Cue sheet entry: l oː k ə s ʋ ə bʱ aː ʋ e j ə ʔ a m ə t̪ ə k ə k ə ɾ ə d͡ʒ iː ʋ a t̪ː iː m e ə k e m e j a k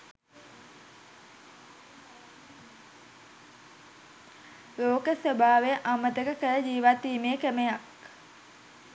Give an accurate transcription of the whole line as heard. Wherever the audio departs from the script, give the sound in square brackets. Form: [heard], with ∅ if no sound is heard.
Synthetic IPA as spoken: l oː k ə s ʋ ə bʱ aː ʋ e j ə ʔ a m ə t̪ ə k ə k ə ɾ ə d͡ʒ iː ʋ a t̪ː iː m e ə k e m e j a k